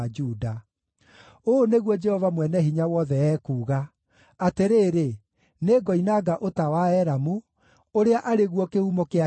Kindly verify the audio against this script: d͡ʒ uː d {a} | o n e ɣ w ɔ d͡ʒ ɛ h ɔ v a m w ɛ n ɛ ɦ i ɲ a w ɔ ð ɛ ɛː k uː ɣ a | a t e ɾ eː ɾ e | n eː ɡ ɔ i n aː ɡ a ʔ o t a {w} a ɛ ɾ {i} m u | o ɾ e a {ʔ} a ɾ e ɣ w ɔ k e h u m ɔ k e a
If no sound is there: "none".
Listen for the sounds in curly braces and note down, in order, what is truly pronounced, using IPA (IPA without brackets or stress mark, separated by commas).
a, w, a, ʔ